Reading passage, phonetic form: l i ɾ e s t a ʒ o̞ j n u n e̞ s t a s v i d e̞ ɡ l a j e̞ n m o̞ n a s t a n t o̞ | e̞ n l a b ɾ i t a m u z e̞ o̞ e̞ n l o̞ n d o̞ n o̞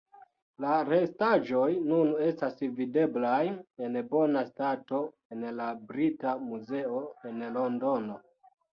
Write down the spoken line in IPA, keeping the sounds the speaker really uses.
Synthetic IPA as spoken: l a ɾ e s t a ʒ o̞ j n u n e̞ s t a s v i d e̞ b l a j e̞ n b o̞ n a s t a t o̞ | e̞ n l a b ɾ i t a m u z e̞ o̞ e̞ n l o̞ n d o̞ n o̞